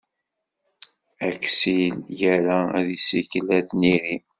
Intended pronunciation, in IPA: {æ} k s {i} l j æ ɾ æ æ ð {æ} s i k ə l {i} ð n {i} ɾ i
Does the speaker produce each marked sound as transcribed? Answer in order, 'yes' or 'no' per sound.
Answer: yes, yes, no, no, yes

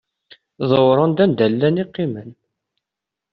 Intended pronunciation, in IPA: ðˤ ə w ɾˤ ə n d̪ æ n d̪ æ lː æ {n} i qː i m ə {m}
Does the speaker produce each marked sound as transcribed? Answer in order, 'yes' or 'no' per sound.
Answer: yes, no

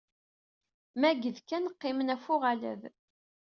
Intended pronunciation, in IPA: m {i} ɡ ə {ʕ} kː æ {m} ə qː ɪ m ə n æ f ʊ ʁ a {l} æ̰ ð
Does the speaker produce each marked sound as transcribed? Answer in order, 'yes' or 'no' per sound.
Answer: no, no, no, yes

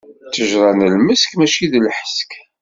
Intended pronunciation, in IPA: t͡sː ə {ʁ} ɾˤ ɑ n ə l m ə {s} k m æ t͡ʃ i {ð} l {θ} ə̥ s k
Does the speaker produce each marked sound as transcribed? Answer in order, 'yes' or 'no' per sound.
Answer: no, yes, yes, no

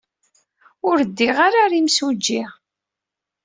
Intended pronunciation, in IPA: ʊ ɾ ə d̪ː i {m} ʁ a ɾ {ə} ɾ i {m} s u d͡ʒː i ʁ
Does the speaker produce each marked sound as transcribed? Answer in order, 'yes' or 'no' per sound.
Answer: no, no, yes

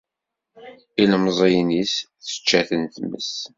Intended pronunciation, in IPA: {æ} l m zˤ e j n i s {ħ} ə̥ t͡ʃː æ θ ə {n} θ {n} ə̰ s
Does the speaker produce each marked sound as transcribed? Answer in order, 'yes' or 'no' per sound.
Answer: no, no, yes, no

